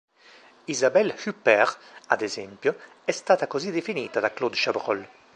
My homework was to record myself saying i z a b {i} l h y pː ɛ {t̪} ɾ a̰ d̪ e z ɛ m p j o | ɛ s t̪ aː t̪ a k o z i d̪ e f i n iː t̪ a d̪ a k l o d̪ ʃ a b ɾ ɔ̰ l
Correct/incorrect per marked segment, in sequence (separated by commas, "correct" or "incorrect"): incorrect, incorrect